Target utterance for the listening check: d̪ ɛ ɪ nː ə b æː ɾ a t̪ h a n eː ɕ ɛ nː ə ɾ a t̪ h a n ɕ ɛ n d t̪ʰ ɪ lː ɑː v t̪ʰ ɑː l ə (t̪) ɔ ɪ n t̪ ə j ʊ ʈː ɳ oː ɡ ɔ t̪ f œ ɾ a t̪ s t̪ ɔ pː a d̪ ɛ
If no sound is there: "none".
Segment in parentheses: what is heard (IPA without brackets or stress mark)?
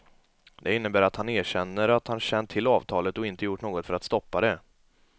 t̪